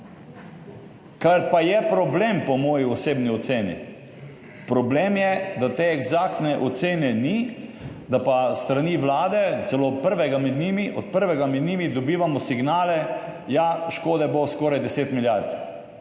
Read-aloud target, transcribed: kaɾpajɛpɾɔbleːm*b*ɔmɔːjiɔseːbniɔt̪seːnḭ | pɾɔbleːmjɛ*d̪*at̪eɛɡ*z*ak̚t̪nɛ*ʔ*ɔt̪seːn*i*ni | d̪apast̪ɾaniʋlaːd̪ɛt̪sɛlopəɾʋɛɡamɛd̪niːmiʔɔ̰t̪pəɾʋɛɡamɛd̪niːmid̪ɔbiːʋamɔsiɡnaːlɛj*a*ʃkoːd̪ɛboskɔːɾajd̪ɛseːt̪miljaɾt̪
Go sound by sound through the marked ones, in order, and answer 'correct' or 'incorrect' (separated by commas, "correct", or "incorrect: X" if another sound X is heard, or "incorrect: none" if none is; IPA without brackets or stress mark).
incorrect: p, correct, correct, correct, incorrect: ɛ, correct